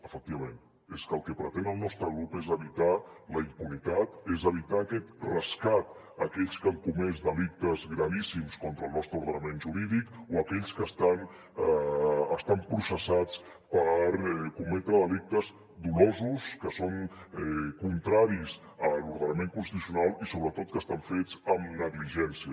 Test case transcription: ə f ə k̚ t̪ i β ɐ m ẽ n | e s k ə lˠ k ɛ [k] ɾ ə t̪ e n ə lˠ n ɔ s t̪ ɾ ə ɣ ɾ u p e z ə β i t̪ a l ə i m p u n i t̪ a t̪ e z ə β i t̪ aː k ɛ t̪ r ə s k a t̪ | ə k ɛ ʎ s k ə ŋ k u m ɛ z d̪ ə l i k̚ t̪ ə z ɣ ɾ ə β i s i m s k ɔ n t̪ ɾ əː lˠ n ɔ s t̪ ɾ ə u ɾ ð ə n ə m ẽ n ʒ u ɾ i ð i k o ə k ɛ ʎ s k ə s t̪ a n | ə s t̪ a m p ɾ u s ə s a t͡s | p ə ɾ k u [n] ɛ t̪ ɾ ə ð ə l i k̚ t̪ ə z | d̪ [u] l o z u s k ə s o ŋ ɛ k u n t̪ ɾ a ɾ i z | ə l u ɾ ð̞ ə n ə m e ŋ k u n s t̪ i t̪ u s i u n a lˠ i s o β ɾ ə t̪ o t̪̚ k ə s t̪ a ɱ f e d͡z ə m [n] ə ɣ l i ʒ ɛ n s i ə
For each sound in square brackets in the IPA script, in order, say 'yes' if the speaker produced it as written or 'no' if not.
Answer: no, no, yes, yes

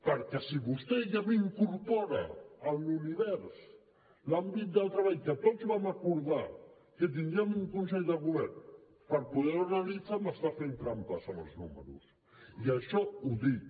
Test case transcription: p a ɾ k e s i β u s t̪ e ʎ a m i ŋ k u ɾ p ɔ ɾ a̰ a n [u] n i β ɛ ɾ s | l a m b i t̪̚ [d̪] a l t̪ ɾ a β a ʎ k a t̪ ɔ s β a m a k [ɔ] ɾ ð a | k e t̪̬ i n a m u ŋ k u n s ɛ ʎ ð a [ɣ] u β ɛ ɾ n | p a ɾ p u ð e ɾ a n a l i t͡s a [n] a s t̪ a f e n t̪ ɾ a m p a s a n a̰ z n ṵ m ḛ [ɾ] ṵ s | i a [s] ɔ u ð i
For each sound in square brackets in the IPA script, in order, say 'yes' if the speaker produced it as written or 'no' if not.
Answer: yes, yes, no, yes, no, yes, no

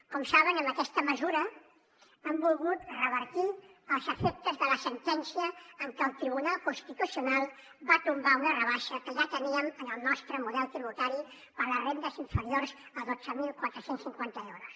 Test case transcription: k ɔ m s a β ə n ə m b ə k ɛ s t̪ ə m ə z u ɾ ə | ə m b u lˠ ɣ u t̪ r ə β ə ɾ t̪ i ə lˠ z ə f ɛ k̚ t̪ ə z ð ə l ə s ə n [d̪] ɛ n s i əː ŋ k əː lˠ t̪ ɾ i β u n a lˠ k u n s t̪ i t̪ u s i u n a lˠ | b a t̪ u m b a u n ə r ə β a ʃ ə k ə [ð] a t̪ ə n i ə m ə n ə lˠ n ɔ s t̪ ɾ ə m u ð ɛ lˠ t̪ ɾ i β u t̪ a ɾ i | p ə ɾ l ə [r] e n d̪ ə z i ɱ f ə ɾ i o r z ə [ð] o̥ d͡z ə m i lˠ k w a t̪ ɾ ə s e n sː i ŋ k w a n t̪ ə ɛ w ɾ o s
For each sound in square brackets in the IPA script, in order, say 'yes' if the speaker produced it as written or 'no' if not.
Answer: no, no, yes, yes

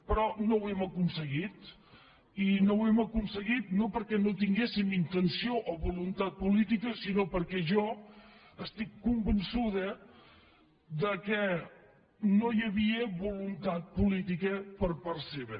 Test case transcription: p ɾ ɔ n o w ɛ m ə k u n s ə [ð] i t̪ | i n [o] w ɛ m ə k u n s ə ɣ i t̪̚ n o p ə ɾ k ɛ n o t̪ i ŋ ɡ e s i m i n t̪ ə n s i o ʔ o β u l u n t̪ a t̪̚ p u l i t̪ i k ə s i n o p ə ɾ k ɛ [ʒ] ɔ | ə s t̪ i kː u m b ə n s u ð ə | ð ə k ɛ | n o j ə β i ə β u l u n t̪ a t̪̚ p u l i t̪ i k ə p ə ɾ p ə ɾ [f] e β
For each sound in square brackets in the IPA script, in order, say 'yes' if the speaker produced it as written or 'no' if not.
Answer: no, yes, yes, no

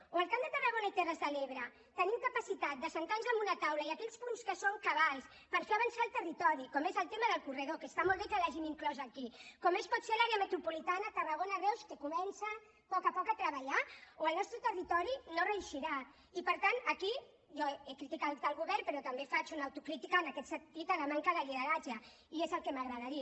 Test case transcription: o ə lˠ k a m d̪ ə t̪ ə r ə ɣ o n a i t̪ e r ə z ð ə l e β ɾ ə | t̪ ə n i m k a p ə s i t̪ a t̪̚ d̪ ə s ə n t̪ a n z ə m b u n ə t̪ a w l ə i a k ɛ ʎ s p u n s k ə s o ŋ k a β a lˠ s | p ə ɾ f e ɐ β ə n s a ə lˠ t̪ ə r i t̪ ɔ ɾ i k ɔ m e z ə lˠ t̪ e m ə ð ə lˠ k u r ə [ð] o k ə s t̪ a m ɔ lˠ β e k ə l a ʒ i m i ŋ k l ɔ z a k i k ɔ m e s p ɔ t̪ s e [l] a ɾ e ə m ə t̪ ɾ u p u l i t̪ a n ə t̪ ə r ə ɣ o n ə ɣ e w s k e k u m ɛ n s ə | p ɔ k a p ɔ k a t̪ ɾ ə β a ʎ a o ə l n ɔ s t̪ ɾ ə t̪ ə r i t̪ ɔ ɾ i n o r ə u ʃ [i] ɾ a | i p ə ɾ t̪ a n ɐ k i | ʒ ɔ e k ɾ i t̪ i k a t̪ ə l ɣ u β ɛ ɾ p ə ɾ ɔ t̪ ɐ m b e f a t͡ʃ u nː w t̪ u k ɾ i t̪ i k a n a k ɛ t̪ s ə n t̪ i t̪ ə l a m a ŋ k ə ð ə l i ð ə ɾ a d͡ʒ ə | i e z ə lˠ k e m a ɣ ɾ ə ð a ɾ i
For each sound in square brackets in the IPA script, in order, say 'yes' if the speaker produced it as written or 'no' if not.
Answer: yes, yes, yes

